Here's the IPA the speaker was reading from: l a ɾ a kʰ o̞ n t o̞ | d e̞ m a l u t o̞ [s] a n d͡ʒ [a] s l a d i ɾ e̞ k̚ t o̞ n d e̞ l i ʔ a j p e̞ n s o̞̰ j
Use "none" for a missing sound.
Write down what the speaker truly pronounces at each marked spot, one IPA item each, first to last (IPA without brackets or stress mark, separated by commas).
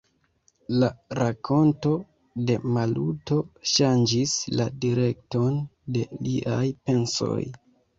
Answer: ʃ, i